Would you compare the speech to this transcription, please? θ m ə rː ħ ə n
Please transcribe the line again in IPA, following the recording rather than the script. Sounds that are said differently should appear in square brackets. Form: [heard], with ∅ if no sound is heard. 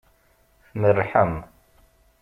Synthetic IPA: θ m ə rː ħ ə [m]